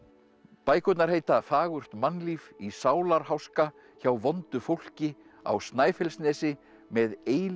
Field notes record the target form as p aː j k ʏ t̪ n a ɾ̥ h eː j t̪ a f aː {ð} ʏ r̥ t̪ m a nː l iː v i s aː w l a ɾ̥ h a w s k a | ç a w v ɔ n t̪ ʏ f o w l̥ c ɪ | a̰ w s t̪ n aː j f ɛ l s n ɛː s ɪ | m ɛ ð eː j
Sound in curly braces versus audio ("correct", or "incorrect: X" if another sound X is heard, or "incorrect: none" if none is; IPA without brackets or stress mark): incorrect: ɣ